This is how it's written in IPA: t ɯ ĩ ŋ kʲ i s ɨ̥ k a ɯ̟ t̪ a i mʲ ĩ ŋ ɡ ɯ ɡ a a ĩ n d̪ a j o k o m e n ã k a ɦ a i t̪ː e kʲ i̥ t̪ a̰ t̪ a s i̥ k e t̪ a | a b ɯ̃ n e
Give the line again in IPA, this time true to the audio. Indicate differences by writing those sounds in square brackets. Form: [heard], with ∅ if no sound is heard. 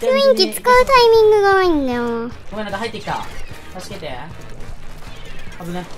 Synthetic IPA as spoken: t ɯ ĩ ŋ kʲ i [t͡s] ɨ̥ k a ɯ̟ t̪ a i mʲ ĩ ŋ ɡ ɯ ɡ a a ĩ n d̪ a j o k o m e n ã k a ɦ a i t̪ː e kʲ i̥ t̪ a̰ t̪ a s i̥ k e t̪ [e] | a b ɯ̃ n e